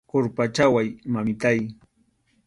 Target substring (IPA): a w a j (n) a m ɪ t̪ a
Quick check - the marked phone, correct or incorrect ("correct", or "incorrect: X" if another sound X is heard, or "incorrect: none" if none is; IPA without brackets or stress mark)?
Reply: incorrect: m